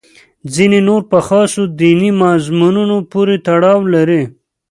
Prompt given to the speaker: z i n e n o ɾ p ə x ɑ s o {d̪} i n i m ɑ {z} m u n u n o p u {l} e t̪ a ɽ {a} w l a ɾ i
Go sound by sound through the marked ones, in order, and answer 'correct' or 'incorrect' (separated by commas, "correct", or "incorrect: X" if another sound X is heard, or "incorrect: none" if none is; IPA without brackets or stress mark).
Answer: correct, correct, incorrect: ɾ, incorrect: ɑ